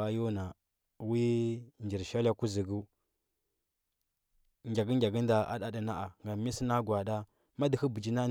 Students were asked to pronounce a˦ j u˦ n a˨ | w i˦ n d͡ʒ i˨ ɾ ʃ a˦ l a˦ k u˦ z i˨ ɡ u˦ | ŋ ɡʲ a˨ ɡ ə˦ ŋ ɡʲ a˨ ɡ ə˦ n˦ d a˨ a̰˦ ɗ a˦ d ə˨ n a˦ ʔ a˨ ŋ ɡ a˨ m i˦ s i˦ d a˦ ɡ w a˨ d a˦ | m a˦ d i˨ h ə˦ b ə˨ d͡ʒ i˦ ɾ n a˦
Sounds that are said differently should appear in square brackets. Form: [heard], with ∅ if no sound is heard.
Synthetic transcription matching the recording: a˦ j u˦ n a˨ | w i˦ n d͡ʒ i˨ ɾ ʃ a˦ l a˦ k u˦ z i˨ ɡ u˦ | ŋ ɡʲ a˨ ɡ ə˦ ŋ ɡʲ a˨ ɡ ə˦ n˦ d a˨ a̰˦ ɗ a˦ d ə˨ n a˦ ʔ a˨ ŋ ɡ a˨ m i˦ s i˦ [n] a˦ ɡ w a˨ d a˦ | m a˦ d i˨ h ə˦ b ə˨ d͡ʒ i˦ [∅] n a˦